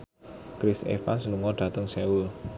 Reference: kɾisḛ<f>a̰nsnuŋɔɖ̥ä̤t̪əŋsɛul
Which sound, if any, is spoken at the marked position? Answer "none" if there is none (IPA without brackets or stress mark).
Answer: f